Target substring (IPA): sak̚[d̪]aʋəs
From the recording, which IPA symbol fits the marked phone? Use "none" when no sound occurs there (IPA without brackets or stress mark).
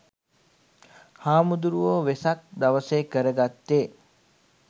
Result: d̪